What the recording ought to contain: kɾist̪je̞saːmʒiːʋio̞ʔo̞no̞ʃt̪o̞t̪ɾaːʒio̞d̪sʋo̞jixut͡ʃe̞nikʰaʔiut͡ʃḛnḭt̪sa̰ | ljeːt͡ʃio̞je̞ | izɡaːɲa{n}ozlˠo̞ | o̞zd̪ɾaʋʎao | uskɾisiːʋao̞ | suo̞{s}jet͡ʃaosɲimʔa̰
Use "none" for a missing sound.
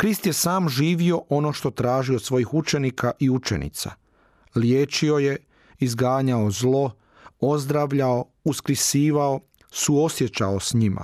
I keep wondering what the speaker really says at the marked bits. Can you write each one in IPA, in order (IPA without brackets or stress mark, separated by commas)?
none, s